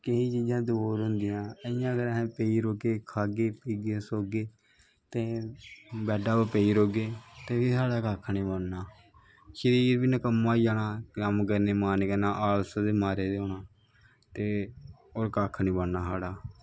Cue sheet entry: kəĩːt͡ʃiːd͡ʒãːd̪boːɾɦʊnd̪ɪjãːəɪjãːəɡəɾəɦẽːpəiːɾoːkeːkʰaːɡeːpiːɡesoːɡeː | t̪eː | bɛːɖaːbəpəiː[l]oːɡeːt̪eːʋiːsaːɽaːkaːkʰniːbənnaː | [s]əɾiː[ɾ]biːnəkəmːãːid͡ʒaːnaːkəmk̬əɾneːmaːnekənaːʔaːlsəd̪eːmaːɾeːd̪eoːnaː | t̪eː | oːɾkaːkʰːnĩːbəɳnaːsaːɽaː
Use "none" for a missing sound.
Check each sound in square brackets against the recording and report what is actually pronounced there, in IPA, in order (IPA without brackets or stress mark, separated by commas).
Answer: ɾ, ʃ, ɾ